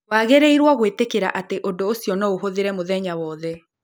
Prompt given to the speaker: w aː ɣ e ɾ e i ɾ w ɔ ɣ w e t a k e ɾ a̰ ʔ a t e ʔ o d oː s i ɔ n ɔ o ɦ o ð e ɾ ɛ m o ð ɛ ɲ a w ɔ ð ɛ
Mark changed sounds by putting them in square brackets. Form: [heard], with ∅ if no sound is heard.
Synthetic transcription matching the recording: w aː ɣ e ɾ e i ɾ w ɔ ɣ w e t [e] k e ɾ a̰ ʔ a t e ʔ o d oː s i ɔ n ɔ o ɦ o ð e ɾ ɛ m o ð ɛ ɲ a w ɔ ð ɛ

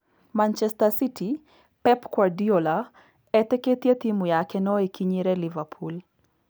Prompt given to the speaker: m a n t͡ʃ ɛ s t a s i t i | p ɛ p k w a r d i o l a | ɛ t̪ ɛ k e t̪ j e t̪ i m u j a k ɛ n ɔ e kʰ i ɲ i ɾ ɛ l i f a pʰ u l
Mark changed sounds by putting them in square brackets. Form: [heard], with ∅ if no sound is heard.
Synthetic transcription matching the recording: m a n t͡ʃ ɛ s t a s i t i | p ɛ p k w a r d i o l a | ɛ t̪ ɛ k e t̪ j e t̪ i m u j a k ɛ n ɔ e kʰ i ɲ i ɾ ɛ l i [v] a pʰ u l

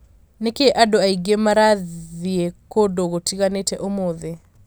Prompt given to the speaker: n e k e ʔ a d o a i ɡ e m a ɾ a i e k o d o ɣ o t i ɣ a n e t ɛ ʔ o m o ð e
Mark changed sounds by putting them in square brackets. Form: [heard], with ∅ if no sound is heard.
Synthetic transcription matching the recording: n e k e ʔ a d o a i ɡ e m a ɾ a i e k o d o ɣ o t i ɣ a n e t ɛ ʔ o m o ð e

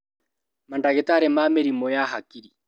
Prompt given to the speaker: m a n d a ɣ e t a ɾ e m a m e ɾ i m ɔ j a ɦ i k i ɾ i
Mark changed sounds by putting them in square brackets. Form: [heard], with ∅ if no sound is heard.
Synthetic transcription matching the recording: m a n d a ɣ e t a ɾ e m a m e ɾ i m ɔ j a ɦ [a] k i ɾ i

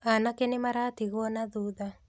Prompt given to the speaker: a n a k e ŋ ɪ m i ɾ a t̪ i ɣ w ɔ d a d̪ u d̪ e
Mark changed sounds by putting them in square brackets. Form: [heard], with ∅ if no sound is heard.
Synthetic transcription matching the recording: a n a k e [n] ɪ m [a] ɾ a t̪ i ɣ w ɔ [n] a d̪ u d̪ [a]

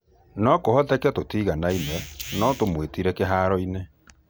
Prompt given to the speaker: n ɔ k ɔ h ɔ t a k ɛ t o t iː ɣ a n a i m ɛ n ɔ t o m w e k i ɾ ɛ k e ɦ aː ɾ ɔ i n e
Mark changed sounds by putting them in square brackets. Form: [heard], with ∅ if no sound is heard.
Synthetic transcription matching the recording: n ɔ k [o] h ɔ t [ɛ] k ɛ t o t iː ɣ a n a i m ɛ n ɔ t o m w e [t] i ɾ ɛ k e ɦ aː ɾ ɔ i n e

